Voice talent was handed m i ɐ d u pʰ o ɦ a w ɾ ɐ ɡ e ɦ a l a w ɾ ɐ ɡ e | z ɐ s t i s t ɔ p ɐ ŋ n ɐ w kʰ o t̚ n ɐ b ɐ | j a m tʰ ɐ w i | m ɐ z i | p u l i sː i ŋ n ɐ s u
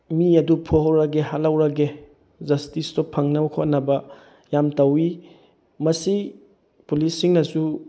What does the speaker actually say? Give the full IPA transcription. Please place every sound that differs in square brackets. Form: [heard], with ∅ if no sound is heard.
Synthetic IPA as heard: m i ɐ d u pʰ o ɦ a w ɾ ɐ ɡ e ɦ a l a w ɾ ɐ ɡ e | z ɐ s t i s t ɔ [pʰ] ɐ ŋ n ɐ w kʰ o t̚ n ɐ b ɐ | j a m [t] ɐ w i | m ɐ [s] i | p u l i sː i ŋ n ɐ s u